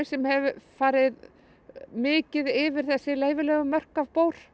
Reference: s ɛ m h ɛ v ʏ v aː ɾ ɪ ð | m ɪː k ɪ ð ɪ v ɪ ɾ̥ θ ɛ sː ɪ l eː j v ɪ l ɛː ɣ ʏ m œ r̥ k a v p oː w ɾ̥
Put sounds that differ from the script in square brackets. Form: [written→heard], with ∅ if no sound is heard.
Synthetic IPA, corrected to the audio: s ɛ m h ɛ v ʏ [v→f] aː ɾ ɪ ð | m ɪː [k→c] ɪ ð ɪ v ɪ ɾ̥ θ ɛ sː ɪ l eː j v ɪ l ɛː ɣ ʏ m œ r̥ k a v p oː w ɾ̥